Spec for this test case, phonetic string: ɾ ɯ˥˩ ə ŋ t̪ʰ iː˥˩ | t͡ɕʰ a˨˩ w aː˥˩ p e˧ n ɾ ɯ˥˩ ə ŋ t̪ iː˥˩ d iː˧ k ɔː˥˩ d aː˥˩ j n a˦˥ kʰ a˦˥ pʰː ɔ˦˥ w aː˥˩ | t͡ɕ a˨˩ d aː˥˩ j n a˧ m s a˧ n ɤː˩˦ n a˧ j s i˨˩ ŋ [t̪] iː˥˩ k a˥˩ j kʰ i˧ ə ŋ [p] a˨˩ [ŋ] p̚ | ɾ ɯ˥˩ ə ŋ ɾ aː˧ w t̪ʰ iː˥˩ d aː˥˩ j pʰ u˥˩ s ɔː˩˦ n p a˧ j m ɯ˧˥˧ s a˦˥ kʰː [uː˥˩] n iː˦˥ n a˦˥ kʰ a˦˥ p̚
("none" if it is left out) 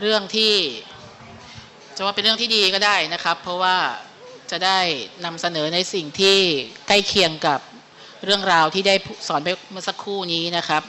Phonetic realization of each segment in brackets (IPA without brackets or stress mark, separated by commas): t̪ʰ, k, none, uː˥˩